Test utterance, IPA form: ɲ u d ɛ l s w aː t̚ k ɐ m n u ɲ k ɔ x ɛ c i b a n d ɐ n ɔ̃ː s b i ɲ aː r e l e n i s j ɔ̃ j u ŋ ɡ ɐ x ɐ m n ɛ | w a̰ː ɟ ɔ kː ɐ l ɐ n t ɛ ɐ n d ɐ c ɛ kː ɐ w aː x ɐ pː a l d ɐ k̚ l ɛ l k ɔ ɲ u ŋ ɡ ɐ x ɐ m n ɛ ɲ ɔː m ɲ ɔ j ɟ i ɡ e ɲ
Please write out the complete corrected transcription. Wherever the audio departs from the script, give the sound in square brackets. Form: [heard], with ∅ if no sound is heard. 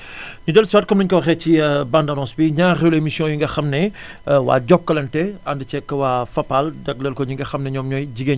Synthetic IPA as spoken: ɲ u d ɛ l s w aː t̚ k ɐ m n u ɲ k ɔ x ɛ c i b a n d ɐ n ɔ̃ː s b i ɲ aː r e l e [m] i s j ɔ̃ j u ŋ ɡ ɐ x ɐ m n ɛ | w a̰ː ɟ ɔ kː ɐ l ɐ n t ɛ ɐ n d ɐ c ɛ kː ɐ w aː [f] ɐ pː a l d ɐ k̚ l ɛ l k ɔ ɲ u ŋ ɡ ɐ x ɐ m n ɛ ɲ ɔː m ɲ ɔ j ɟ i ɡ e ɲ